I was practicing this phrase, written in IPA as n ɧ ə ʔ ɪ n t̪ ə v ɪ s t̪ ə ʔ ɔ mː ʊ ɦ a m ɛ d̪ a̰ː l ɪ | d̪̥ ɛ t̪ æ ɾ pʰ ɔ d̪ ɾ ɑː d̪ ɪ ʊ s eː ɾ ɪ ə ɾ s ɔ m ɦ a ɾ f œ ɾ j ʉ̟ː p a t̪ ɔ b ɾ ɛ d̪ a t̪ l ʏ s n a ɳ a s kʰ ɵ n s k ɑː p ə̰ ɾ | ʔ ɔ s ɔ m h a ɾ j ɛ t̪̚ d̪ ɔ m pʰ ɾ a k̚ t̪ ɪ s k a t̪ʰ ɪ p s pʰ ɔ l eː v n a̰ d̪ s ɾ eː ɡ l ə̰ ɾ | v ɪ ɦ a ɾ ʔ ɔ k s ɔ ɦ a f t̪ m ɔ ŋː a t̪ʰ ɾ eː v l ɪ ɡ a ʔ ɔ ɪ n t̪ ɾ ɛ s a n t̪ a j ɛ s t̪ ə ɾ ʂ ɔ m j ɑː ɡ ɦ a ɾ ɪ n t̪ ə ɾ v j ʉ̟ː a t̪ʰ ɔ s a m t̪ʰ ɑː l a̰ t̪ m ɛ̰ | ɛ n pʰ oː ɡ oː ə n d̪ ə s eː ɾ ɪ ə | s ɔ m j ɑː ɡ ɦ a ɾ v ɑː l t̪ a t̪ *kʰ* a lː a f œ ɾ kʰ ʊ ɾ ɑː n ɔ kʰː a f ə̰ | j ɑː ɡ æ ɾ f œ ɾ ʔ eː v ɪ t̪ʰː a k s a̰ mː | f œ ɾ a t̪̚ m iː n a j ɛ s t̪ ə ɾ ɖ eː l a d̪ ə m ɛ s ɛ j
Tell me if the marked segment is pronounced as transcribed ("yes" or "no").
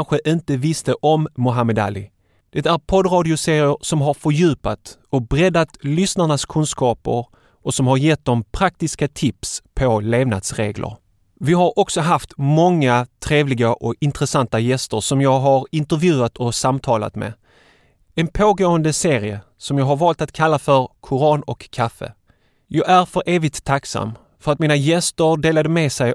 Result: yes